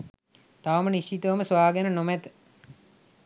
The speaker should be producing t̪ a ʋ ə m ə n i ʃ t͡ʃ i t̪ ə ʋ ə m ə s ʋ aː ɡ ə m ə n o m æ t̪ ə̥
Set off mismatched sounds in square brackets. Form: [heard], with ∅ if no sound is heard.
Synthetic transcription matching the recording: t̪ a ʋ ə m ə n i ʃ t͡ʃ i t̪ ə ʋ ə m ə s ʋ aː ɡ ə [n] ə n o m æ t̪ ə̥